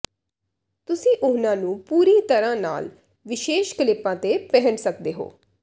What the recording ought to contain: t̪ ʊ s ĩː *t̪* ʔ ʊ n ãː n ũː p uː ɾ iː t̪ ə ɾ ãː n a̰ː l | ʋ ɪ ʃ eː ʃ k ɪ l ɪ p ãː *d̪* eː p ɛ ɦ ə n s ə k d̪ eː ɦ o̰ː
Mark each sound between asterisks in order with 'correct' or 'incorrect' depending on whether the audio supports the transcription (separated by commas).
incorrect, incorrect